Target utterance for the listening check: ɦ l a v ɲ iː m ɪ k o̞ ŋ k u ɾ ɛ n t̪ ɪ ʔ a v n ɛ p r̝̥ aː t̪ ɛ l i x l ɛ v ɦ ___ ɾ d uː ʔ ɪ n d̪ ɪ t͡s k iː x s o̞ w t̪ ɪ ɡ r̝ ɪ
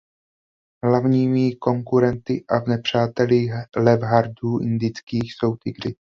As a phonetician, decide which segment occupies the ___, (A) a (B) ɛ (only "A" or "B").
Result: A